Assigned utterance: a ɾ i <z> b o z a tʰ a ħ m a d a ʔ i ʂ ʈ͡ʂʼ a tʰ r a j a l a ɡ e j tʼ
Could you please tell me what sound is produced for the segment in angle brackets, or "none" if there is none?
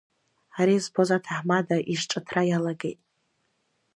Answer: z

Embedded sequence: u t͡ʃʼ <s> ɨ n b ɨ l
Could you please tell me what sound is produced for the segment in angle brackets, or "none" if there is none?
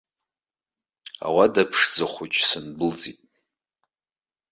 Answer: s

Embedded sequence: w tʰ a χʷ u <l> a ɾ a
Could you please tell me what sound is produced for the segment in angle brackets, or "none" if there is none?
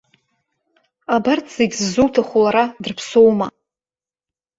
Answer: l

